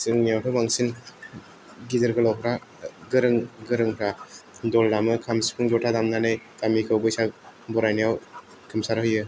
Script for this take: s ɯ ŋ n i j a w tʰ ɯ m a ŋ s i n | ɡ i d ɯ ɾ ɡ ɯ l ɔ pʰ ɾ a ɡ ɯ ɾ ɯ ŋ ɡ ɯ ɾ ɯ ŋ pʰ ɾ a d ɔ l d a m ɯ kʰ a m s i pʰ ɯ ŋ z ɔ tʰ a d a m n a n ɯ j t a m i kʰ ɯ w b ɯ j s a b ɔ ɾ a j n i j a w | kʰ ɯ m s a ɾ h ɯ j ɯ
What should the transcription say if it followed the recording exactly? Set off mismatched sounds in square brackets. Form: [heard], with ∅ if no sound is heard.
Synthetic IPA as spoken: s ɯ ŋ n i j a w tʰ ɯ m a ŋ s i n | ɡ i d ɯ ɾ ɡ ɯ l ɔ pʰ ɾ a ɡ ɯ ɾ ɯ ŋ ɡ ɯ ɾ ɯ ŋ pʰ ɾ a d ɔ l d a m ɯ kʰ a m s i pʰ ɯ ŋ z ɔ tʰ a d a m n a n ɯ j t a m i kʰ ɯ w b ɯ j s a b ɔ ɾ a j n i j a w | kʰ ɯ m s a ɾ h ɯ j ɯ